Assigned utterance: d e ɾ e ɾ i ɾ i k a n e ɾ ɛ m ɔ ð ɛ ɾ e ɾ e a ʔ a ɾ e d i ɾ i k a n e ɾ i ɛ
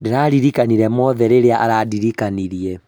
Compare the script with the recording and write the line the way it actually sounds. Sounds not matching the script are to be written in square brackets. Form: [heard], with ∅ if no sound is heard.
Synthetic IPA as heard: d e ɾ [a] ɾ i ɾ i k a n [i] ɾ ɛ m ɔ ð ɛ ɾ e ɾ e a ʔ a ɾ [a] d i ɾ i k a n [i] ɾ i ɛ